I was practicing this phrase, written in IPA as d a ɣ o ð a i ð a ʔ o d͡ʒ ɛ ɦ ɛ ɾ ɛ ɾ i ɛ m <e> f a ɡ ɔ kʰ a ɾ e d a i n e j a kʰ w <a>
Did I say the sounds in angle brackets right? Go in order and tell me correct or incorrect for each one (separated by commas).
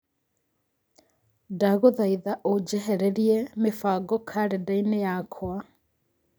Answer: correct, correct